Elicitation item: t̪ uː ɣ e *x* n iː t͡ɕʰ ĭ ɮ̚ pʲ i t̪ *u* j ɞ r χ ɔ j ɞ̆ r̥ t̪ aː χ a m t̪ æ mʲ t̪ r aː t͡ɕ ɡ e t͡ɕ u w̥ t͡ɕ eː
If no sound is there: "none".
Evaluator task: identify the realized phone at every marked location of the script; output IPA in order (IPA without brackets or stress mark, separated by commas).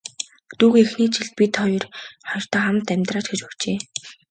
x, ɔ